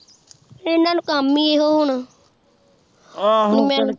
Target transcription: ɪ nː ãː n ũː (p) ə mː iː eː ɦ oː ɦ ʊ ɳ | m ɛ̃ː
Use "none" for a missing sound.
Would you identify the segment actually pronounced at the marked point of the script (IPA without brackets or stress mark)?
k